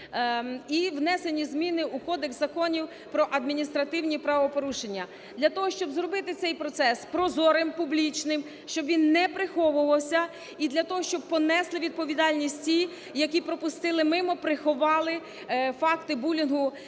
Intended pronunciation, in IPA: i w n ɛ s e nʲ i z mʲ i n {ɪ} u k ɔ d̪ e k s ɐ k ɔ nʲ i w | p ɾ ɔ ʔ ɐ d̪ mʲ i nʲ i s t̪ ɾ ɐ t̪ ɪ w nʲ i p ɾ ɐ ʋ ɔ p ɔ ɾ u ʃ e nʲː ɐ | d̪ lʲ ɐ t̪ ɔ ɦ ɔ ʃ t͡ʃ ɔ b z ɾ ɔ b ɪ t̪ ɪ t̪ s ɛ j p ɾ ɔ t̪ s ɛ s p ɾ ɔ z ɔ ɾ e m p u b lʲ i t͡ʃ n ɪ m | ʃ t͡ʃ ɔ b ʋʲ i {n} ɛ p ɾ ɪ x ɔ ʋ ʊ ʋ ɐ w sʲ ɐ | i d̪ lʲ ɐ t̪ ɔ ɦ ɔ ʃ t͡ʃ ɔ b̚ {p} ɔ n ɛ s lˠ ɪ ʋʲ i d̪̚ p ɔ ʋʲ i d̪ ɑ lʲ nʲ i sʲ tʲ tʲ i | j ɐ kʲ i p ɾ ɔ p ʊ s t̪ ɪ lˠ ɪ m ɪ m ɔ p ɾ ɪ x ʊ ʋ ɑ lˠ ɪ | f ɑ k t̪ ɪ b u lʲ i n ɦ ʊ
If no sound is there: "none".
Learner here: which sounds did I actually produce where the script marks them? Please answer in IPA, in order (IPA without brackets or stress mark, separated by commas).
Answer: ɪ, nː, p